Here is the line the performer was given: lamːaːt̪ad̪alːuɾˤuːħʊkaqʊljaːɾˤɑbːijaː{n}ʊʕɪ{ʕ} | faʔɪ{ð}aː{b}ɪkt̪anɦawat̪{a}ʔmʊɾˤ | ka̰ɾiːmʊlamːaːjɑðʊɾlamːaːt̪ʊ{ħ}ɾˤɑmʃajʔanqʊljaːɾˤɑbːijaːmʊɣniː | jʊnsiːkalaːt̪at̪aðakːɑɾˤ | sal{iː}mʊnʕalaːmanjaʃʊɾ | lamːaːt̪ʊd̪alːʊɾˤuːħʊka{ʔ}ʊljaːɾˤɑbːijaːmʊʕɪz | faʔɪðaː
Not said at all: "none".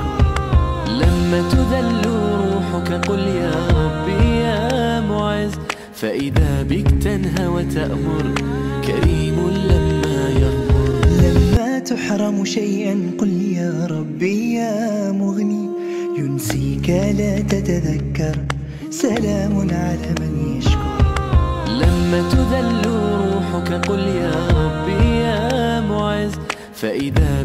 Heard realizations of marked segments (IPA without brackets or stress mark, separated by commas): m, z, ð, b, a, ħ, aː, q